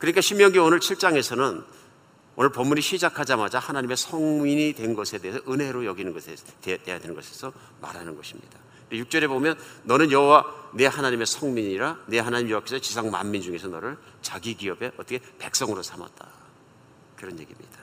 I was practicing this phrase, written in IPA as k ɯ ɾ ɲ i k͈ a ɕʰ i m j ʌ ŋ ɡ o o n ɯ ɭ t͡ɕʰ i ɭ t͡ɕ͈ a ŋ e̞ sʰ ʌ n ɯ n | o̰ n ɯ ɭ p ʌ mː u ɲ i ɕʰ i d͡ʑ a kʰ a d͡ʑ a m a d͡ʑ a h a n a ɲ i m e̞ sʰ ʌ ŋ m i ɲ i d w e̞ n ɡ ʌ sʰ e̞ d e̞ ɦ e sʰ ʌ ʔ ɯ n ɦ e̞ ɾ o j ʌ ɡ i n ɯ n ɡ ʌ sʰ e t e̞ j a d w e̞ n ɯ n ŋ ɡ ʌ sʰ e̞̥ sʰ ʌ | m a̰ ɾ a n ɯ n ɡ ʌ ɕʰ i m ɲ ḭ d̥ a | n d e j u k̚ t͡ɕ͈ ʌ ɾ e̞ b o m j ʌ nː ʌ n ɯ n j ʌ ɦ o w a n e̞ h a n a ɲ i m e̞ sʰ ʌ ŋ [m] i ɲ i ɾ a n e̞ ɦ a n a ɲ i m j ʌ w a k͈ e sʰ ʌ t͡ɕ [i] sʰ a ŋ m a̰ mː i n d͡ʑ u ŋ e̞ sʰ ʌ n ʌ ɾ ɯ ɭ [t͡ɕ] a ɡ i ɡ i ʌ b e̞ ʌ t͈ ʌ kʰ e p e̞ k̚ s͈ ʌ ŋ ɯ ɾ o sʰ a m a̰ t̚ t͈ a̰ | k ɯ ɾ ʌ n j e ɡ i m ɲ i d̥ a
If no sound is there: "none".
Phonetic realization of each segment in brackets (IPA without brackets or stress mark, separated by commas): m, i, t͡ɕ